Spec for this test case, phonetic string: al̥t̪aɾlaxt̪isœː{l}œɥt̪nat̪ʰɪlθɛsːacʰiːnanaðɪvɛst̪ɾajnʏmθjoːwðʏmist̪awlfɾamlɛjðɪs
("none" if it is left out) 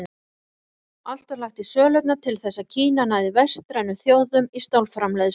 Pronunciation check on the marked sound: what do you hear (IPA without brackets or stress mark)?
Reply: l